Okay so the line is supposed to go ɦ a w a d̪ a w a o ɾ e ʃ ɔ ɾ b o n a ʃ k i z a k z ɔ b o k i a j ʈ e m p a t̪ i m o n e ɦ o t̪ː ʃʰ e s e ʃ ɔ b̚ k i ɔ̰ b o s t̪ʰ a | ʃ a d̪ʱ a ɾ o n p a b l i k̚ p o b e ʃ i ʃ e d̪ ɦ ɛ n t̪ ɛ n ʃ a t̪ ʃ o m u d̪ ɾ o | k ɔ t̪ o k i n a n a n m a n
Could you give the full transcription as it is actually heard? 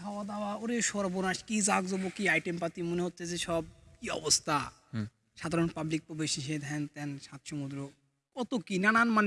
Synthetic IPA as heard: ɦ a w a d̪ a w a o ɾ e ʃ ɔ ɾ b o n a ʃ k i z a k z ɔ b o k i a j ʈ e m p a t̪ i m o n e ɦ o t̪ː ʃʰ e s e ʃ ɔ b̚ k i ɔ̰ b o s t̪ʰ a | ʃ a d̪ʱ a ɾ o n p a b l i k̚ p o b e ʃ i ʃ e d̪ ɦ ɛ n t̪ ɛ n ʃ a t̪ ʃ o m u d̪ ɾ o | k ɔ t̪ o k i n a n a n m a n